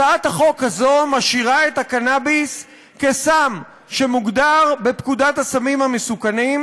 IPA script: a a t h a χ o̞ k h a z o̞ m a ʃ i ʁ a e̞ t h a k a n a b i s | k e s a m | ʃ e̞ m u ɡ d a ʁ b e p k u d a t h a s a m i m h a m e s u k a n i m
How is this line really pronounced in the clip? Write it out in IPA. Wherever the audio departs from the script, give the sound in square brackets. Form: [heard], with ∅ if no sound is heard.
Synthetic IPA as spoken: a a t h a χ o̞ k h a z o̞ m a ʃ i ʁ a e̞ t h a k a n a b i s | k e s a m | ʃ e̞ m u ɡ d a ʁ b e p k u d a t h a s a m i m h a m e s u k a n i m